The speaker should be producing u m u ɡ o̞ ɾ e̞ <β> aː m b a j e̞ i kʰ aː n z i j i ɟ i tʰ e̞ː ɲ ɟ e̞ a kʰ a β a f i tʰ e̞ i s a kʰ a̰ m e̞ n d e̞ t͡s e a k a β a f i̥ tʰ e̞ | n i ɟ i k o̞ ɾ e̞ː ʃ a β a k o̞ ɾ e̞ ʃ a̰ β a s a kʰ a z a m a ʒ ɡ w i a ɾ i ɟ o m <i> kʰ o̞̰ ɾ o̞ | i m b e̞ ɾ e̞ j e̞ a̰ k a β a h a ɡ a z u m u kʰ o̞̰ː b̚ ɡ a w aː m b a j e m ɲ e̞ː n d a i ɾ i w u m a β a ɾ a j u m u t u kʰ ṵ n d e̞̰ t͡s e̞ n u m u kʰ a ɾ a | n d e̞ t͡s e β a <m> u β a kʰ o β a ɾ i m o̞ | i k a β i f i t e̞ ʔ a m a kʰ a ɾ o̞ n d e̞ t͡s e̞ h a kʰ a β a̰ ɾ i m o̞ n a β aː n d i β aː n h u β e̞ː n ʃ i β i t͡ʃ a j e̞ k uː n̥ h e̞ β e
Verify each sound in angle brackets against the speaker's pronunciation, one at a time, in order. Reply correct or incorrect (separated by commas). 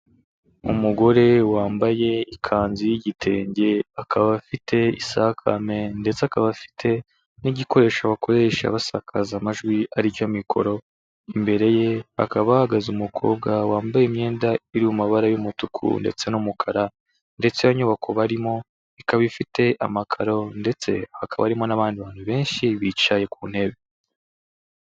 incorrect, correct, incorrect